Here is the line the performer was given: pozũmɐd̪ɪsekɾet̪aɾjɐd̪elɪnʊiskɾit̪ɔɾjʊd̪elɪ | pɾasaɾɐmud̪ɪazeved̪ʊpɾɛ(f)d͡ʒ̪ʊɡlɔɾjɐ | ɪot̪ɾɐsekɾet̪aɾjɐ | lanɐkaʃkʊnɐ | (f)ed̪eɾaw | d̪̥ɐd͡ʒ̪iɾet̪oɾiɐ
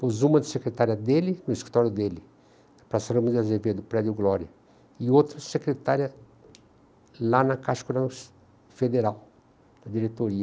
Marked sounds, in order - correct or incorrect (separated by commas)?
incorrect, correct